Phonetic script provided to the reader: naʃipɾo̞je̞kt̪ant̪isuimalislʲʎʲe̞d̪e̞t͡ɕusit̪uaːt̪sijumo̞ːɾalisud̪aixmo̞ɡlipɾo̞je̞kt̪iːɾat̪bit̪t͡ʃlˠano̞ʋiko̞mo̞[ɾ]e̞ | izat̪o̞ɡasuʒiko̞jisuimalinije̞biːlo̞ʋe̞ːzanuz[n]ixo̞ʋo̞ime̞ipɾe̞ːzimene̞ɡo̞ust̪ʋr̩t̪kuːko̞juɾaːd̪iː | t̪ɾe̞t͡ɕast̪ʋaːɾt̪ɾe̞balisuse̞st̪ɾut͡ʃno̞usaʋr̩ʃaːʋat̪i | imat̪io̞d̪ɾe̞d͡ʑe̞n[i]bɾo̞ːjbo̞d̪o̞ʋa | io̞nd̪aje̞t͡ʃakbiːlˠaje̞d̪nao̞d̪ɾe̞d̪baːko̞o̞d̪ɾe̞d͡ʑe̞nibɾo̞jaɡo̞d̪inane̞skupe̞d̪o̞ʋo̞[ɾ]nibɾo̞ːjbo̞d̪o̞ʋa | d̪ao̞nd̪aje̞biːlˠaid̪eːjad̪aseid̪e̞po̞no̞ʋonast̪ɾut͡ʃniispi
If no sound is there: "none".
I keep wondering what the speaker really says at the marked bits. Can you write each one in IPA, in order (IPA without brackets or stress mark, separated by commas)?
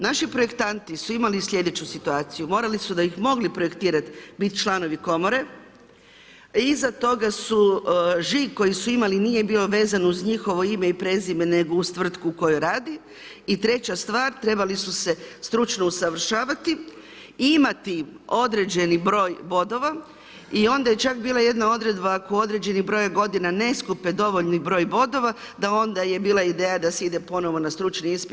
ɾ, ɲ, i, ʎ